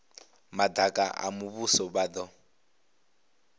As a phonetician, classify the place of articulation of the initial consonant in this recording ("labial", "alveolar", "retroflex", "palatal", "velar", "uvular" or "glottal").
labial